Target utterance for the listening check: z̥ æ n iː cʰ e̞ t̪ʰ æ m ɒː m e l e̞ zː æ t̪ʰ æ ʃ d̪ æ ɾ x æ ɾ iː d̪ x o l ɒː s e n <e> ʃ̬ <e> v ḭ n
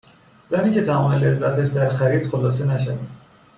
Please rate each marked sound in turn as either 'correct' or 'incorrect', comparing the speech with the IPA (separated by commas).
incorrect, incorrect